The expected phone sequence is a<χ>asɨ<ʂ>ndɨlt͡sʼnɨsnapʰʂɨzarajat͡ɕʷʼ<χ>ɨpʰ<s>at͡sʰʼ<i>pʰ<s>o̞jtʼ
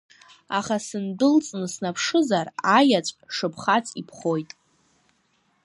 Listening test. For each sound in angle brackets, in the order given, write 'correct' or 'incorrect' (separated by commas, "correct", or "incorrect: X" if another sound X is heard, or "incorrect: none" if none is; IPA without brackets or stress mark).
correct, incorrect: none, incorrect: ʂ, incorrect: χ, correct, incorrect: χ